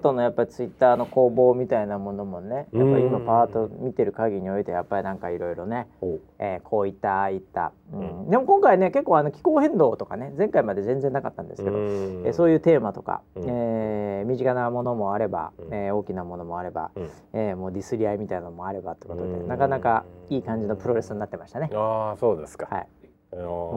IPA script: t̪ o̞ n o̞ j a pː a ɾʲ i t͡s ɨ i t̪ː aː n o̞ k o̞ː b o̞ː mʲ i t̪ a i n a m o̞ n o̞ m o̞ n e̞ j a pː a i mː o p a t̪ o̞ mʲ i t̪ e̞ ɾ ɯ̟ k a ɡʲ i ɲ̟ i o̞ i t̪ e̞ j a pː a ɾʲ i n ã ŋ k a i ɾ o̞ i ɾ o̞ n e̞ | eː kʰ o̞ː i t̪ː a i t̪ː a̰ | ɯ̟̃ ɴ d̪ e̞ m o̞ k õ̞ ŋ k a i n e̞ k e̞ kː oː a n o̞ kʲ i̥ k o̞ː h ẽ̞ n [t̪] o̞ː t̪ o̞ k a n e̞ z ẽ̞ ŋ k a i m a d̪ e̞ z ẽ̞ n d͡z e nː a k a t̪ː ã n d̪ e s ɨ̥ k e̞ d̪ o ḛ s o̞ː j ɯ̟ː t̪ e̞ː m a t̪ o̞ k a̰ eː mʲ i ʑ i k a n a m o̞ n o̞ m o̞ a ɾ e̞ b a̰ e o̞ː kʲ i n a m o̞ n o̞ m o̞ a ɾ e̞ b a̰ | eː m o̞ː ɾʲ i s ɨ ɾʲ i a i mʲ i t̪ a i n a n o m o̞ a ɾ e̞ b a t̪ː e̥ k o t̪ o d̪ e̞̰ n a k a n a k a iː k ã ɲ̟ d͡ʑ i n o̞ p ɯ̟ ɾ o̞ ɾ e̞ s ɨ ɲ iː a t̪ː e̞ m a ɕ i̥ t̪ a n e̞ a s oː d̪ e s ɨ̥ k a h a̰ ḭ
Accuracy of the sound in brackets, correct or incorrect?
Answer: incorrect